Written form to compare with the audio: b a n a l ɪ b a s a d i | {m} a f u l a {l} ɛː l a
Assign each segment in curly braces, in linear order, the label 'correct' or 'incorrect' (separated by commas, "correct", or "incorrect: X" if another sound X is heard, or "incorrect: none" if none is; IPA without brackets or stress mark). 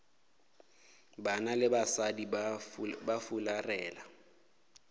incorrect: b, incorrect: r